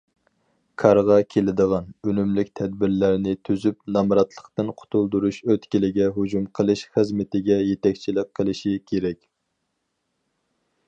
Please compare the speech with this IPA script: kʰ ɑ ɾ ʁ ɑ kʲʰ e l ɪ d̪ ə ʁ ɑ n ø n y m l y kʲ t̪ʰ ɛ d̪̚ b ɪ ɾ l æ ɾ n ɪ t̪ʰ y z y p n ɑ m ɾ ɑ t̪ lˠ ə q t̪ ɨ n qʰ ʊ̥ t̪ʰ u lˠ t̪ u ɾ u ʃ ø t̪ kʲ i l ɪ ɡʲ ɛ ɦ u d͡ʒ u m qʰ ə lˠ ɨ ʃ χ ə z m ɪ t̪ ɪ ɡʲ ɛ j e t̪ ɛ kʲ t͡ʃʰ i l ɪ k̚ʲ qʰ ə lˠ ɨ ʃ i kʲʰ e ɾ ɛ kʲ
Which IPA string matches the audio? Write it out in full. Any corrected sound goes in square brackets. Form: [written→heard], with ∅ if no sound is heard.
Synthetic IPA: kʰ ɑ ɾ ʁ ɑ kʲʰ e l ɪ d̪ ə ʁ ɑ n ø n y m l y kʲ t̪ʰ ɛ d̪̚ b ɪ ɾ l æ ɾ n ɪ t̪ʰ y z y p n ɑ m ɾ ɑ t̪ lˠ ə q t̪ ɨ n qʰ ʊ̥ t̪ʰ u lˠ [t̪→d̪] u ɾ u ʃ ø t̪ kʲ i l ɪ ɡʲ ɛ ɦ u d͡ʒ u m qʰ ə lˠ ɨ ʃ χ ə z m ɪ t̪ ɪ ɡʲ ɛ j e t̪ ɛ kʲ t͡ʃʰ i l ɪ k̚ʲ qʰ ə lˠ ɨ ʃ i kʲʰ e ɾ ɛ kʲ

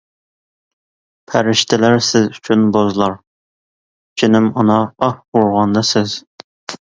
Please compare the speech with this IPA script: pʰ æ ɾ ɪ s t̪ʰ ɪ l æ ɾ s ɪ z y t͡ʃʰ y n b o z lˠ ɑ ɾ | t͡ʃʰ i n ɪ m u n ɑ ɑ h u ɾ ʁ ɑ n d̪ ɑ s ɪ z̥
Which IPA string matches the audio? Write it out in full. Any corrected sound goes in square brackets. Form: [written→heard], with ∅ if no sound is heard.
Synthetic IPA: pʰ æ ɾ ɪ [s→ʃ] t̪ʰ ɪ l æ ɾ s ɪ z y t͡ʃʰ y n b o z lˠ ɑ ɾ | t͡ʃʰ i n ɪ m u n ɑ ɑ h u ɾ ʁ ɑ n d̪ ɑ s ɪ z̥

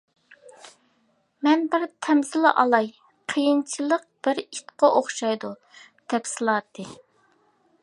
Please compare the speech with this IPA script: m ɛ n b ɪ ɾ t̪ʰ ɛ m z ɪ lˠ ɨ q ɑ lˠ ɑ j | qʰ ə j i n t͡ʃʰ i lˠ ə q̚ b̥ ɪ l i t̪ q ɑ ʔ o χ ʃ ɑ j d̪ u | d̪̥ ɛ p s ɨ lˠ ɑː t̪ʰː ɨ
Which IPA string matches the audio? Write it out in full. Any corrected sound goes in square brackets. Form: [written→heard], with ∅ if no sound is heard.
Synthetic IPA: m ɛ n b ɪ ɾ t̪ʰ ɛ m z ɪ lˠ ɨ [q→ʔ] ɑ lˠ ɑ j | qʰ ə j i n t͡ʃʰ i lˠ ə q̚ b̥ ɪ [l→ɾ] i t̪ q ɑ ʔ o χ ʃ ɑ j d̪ u | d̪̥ ɛ p s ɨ lˠ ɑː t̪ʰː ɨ

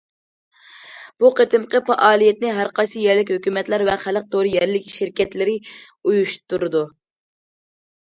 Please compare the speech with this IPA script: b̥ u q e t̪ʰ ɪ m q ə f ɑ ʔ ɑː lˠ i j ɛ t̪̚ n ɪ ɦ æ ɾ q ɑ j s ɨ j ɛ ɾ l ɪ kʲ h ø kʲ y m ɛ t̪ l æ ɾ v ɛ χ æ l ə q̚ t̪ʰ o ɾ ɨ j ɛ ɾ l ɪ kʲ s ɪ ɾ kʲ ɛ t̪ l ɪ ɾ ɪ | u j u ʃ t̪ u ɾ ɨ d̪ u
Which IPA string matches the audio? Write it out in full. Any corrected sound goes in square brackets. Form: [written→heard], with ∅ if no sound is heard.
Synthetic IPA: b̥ u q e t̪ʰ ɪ m q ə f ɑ ʔ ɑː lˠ i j ɛ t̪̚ n ɪ ɦ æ ɾ q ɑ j s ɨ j ɛ ɾ l ɪ kʲ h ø kʲ y m ɛ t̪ l æ ɾ v ɛ χ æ l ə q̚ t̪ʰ o ɾ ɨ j ɛ ɾ l ɪ kʲ [s→ʃ] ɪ ɾ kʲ ɛ t̪ l ɪ ɾ ɪ | u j u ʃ t̪ u ɾ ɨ d̪ u

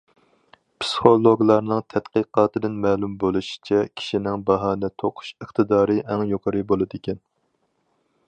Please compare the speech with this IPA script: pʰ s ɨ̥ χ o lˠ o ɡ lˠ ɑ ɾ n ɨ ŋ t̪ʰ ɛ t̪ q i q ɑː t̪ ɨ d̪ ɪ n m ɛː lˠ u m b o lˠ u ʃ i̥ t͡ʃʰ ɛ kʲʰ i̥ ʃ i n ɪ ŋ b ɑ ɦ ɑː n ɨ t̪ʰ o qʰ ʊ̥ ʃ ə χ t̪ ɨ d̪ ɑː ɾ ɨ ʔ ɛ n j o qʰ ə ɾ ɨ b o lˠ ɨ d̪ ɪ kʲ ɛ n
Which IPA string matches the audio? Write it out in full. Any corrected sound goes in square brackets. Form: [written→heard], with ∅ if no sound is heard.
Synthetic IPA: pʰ s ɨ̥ χ o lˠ o ɡ lˠ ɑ ɾ n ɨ ŋ t̪ʰ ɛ t̪ q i q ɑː t̪ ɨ d̪ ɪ n m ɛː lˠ u m b o lˠ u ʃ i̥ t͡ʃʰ ɛ kʲʰ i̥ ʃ i n ɪ ŋ b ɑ ɦ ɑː n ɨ t̪ʰ o qʰ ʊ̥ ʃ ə χ t̪ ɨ d̪ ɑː ɾ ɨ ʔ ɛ [n→ŋ] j o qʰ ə ɾ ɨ b o lˠ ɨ d̪ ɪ kʲ ɛ n

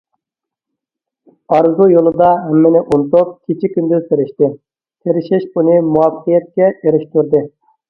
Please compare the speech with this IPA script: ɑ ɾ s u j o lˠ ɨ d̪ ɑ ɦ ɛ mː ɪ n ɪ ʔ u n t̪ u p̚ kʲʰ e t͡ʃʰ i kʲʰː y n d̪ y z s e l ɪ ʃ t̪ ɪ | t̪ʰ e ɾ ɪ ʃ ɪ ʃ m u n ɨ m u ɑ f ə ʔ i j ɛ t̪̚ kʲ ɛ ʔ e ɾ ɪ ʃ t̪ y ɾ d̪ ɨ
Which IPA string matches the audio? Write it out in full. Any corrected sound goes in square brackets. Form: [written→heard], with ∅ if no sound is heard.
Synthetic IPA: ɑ ɾ [s→z] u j o lˠ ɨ d̪ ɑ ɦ ɛ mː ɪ n ɪ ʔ u n t̪ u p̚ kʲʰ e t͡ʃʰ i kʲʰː y n d̪ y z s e [l→ɾ] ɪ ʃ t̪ ɪ | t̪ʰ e ɾ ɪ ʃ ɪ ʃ [m→b] u n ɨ m u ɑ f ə [ʔ→q] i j ɛ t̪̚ kʲ ɛ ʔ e ɾ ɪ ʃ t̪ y ɾ d̪ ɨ

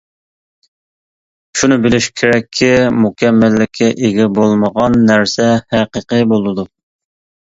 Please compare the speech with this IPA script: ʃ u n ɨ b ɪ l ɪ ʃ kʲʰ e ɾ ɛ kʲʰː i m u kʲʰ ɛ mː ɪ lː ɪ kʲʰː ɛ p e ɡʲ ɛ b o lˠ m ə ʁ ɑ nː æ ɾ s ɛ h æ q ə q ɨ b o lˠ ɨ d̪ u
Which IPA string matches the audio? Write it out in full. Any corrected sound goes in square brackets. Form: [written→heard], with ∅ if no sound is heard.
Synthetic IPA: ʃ u n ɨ b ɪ l ɪ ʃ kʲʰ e ɾ ɛ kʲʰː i m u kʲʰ ɛ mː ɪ lː ɪ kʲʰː ɛ [p→ʔ] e ɡʲ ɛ b o lˠ m ə ʁ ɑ nː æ ɾ s ɛ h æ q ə q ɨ b o lˠ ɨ d̪ u

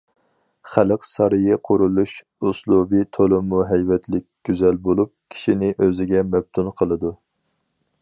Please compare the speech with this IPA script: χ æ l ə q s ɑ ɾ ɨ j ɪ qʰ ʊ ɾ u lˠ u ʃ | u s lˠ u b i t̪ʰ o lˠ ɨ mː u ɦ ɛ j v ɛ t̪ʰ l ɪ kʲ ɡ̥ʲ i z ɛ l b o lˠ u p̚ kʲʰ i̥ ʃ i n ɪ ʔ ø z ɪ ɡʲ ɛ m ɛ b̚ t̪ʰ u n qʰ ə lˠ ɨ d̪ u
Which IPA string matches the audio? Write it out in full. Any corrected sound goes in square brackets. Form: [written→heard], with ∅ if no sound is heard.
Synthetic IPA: χ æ l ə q s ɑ ɾ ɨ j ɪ qʰ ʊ ɾ u lˠ u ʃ | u s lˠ u b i t̪ʰ o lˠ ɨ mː u ɦ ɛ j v ɛ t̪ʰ l ɪ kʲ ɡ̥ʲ [i→y] z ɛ l b o lˠ u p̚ kʲʰ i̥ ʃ i n ɪ ʔ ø z ɪ ɡʲ ɛ m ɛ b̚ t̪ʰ u n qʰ ə lˠ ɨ d̪ u

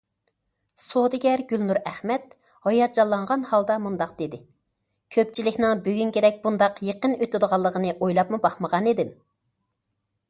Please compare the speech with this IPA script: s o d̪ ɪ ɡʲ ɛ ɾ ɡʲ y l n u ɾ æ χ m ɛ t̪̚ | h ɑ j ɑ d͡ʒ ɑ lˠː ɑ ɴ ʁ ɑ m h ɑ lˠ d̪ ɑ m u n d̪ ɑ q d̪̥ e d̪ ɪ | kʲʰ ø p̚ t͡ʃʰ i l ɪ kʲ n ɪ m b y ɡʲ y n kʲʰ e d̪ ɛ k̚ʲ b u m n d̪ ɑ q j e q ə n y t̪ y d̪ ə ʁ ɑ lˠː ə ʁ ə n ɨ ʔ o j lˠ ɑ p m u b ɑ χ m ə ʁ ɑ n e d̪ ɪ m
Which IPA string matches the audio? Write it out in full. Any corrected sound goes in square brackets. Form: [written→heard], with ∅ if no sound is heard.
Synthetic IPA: s o d̪ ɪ ɡʲ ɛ ɾ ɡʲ y l n u ɾ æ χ m ɛ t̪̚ | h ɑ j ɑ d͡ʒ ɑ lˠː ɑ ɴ ʁ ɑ [m→n] h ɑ lˠ d̪ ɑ m u n d̪ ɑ q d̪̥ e d̪ ɪ | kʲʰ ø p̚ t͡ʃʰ i l ɪ kʲ n ɪ [m→ŋ] b y ɡʲ y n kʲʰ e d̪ ɛ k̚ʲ b u [m→∅] n d̪ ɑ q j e q ə n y t̪ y d̪ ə ʁ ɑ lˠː ə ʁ ə n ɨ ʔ o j lˠ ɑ p m u b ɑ χ m ə ʁ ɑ n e d̪ ɪ m

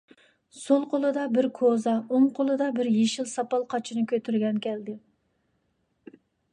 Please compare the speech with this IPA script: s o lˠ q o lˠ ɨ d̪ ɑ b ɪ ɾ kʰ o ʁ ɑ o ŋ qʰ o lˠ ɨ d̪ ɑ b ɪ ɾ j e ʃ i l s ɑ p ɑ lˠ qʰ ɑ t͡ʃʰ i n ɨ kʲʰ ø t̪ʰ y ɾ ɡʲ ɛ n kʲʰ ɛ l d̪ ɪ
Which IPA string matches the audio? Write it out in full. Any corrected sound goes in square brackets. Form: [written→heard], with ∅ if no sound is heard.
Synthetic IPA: s o lˠ q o lˠ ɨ d̪ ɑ b ɪ ɾ kʰ o [ʁ→z] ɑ o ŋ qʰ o lˠ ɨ d̪ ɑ b ɪ ɾ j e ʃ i l s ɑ p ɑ lˠ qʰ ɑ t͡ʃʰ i n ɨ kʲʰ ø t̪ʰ y ɾ ɡʲ ɛ n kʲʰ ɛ l d̪ ɪ

